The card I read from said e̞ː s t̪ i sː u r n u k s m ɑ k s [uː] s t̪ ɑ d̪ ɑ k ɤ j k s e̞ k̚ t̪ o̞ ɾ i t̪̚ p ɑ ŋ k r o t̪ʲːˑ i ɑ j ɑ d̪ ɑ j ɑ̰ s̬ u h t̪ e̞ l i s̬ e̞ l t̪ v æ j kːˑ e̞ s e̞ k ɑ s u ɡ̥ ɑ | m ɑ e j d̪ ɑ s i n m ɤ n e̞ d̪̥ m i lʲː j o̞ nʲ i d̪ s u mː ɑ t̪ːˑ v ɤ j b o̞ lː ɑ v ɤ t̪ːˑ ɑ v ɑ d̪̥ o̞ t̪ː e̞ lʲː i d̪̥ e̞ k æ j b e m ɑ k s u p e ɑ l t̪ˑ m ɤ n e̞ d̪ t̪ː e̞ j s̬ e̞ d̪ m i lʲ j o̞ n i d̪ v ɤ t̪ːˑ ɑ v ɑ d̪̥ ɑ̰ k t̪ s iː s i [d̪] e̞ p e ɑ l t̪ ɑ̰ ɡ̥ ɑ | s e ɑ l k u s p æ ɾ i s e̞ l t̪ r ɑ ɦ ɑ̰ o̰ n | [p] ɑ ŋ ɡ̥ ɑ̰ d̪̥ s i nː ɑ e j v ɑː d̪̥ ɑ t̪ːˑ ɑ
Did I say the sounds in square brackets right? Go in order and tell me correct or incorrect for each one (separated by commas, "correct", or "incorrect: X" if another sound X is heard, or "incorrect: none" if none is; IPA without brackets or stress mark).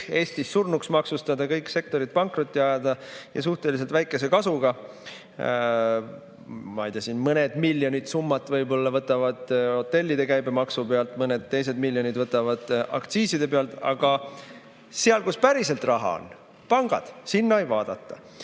incorrect: u, correct, correct